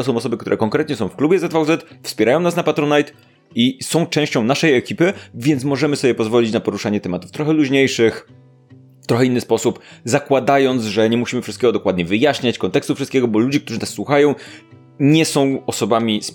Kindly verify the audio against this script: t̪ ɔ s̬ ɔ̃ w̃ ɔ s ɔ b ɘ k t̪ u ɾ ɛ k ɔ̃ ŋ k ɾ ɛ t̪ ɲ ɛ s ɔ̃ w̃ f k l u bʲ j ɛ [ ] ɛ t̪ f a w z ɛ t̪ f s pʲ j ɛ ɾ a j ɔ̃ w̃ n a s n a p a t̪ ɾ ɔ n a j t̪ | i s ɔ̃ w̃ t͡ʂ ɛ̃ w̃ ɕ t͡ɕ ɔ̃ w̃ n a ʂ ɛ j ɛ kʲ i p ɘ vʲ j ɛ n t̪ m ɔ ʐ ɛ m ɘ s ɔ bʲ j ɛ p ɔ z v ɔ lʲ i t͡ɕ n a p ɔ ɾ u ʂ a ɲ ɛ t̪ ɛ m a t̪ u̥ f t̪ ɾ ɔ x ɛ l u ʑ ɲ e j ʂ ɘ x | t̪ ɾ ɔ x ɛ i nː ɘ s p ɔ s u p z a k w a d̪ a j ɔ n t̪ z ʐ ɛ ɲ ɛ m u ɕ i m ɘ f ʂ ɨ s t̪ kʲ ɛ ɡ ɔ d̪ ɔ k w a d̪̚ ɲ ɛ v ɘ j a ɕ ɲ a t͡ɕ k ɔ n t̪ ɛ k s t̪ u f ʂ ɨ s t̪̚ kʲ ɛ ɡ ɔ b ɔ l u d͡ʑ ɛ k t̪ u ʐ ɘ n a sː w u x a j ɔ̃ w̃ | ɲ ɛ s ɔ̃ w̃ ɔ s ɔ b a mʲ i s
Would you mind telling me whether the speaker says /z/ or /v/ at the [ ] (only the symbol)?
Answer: z